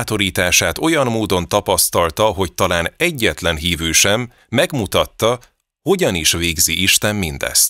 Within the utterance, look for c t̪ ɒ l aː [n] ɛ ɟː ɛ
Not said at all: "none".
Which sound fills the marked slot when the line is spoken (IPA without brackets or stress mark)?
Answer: n